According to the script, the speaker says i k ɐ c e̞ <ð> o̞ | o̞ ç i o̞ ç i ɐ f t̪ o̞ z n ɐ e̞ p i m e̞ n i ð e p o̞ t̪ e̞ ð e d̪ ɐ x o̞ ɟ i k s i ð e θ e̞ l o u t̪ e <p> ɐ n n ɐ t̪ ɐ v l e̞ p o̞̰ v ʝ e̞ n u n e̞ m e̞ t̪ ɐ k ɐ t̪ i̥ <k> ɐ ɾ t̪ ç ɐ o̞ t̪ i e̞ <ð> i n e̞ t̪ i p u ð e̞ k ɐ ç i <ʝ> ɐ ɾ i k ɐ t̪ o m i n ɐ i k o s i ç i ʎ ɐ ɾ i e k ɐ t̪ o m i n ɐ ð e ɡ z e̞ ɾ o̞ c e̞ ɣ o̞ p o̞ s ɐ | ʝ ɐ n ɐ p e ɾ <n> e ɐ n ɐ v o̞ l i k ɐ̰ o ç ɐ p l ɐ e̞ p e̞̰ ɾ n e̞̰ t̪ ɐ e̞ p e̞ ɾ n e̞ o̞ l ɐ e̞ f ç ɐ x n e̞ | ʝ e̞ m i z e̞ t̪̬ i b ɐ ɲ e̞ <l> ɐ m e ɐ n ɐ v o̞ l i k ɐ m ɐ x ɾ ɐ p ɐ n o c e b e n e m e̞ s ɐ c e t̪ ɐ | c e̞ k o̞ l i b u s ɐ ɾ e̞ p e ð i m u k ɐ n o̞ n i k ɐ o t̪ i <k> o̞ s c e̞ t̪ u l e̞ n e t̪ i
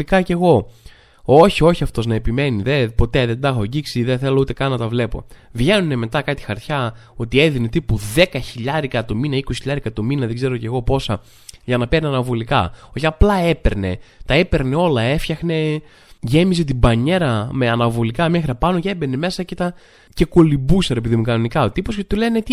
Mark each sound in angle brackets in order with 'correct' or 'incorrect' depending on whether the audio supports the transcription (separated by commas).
incorrect, incorrect, incorrect, correct, incorrect, correct, incorrect, incorrect